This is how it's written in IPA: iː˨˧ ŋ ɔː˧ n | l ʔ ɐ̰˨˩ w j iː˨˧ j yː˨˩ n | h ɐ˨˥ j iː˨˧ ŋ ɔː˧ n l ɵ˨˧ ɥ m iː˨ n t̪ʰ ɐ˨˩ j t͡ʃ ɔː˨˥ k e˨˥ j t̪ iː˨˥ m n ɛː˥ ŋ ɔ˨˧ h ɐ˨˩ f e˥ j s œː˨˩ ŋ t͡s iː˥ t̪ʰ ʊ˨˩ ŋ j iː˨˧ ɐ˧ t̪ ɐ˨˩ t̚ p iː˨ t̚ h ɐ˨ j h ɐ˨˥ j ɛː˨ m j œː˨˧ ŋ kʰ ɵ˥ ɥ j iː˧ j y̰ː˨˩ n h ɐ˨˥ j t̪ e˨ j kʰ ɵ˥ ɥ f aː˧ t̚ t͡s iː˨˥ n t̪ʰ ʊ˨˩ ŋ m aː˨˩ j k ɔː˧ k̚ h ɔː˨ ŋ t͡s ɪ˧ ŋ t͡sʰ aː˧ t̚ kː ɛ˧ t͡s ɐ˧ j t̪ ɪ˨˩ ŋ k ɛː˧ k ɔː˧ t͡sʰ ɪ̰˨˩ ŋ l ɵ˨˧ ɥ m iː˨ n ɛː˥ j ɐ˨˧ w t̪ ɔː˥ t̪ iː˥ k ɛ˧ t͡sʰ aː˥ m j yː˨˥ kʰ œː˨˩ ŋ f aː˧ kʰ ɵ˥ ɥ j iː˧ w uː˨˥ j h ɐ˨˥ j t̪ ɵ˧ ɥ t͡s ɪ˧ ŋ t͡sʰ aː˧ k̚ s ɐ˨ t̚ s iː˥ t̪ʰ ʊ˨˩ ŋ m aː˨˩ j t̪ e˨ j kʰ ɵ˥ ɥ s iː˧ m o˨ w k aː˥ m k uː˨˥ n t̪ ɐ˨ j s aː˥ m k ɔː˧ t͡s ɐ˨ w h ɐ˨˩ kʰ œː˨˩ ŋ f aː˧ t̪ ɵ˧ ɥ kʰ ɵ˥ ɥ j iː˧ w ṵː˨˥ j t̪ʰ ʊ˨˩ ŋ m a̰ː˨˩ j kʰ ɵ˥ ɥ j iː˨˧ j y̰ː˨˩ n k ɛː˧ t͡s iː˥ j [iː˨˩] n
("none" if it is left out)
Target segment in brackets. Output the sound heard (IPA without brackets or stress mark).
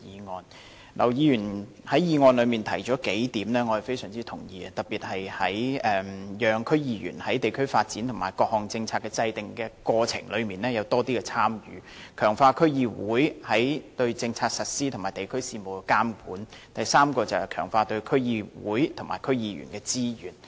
yː˨˩